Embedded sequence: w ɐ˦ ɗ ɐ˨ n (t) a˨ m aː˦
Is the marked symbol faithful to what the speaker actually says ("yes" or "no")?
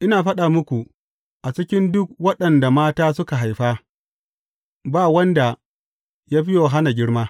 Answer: no